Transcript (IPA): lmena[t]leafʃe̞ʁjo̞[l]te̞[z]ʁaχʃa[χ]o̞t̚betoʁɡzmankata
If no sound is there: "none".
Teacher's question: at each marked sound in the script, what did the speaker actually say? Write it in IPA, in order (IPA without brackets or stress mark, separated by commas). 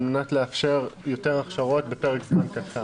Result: t, none, none, ʁ